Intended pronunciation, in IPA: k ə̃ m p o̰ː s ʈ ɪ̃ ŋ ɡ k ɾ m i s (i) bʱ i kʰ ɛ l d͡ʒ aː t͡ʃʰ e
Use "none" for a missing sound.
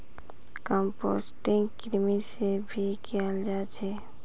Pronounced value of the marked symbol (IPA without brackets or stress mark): e